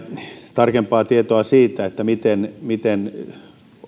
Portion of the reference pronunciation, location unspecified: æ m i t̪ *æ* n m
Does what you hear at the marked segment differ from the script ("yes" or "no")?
yes